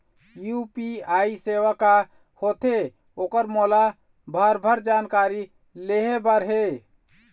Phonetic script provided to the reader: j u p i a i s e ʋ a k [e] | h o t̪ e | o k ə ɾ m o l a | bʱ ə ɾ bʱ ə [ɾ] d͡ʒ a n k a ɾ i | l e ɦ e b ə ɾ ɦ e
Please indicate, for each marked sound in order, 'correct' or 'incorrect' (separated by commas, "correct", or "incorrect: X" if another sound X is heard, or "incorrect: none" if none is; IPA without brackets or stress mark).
incorrect: a, correct